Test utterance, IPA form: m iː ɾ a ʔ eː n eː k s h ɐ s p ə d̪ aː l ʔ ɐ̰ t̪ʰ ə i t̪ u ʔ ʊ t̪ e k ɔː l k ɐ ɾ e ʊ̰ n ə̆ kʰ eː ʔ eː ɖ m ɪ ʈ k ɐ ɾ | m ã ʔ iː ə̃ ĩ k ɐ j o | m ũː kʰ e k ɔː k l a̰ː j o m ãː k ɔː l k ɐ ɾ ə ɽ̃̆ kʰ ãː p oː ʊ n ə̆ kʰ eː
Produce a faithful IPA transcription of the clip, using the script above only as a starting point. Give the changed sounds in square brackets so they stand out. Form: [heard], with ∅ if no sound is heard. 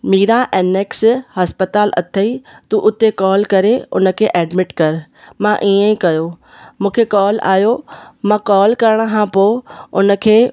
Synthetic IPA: m iː ɾ a ʔ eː n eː k s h ɐ s p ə [t̪] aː l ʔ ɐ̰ t̪ʰ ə i t̪ u ʔ ʊ t̪ e k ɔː l k ɐ ɾ e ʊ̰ n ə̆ kʰ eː ʔ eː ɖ m ɪ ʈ k ɐ ɾ | m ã ʔ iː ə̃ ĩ k ɐ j o | m ũː kʰ e k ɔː [∅] l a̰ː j o m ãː k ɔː l k ɐ ɾ ə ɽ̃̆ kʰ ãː p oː ʊ n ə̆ kʰ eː